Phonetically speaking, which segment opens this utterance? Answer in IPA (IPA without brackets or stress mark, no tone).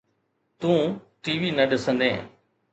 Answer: t̪